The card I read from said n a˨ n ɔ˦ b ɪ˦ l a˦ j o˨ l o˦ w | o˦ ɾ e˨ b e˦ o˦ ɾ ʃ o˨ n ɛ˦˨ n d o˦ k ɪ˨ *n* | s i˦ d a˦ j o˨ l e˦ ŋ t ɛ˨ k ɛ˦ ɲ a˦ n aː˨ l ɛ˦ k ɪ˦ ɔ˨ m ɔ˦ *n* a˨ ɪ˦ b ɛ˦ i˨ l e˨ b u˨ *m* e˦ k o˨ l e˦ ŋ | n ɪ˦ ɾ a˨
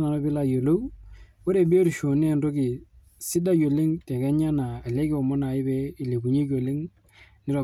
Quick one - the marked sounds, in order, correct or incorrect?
incorrect, correct, incorrect

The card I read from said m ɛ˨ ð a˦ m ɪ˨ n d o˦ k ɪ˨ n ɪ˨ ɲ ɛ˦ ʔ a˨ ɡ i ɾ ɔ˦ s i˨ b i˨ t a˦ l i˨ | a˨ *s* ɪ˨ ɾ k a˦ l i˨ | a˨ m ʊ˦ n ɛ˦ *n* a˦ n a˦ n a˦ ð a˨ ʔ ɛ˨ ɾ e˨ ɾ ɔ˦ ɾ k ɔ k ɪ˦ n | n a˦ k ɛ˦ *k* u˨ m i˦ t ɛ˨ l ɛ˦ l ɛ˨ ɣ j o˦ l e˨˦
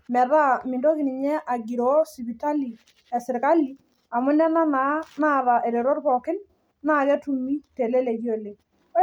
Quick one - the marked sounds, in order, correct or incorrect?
correct, correct, incorrect

